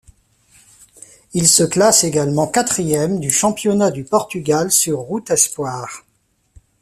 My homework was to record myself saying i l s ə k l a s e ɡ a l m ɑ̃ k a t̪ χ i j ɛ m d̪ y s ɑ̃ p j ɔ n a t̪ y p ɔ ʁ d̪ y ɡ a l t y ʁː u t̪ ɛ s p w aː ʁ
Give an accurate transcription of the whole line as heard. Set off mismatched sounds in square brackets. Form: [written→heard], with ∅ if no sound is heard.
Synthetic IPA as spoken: i l s ə k l a s e ɡ a l m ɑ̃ k a t̪ χ i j ɛ m d̪ y [s→ʃ] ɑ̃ p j ɔ n a [t̪→d̪] y p ɔ ʁ [d̪→t̪] y ɡ a l [t→s] y ʁː u t̪ ɛ s p w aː ʁ